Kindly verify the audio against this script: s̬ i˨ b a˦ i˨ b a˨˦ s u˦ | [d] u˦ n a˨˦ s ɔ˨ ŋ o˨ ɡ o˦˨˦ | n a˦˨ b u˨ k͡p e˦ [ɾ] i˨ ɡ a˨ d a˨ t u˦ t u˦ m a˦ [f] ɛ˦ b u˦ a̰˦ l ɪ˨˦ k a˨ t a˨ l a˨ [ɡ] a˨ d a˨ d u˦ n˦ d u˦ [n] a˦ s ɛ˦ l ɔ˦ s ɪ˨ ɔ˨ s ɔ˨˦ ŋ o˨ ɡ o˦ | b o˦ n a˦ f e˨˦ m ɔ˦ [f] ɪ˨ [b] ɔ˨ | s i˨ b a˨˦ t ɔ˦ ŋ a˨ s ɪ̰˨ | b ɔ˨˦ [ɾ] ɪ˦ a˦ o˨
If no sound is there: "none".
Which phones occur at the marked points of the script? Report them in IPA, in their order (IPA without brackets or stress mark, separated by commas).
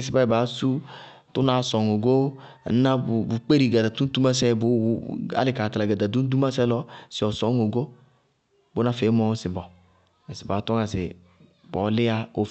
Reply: t, ɾ, s, ɡ, m, s, b, l